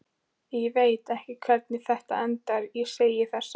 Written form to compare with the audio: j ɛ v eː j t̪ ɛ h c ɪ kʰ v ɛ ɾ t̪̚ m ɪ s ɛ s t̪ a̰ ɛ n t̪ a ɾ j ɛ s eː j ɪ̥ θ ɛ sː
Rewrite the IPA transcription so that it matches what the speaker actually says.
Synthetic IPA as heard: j ɛ v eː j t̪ ɛ h c ɪ kʰ v ɛ ɾ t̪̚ n ɪ θ ɛ h t̪ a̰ ɛ n t̪ a ɾ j ɛ s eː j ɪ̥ θ ɛ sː

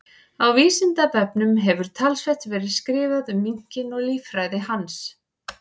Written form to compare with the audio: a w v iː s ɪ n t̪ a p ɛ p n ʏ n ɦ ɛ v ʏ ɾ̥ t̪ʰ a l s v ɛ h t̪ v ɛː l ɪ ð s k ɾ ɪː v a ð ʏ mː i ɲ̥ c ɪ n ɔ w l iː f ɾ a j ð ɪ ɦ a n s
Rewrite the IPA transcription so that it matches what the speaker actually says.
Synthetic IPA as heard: a w v iː s ɪ n t̪ a p ɛ p n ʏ m ɦ ɛ v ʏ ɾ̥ t̪ʰ a l s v ɛ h t̪ v ɛː ɾ ɪ ð s k ɾ ɪː v a ð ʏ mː i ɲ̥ c ɪ n ɔ ɣ l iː f ɾ a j ð ɪ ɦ a n s

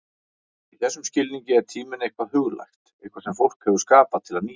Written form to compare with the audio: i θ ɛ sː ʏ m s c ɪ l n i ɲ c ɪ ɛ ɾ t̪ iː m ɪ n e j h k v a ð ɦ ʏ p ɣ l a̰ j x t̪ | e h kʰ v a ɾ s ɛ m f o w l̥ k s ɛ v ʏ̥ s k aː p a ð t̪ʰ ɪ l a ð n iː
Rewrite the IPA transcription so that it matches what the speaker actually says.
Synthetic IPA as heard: i θ ɛ sː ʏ m s c ɪ l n i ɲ c ɪ ɛ ɾ t̪ʰ iː m ɪ n e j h k v a ð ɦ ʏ ɣ l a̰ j x t̪ | e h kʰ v a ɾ s ɛ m f o w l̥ k h ɛ v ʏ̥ s k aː p a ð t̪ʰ ɪ l a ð n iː

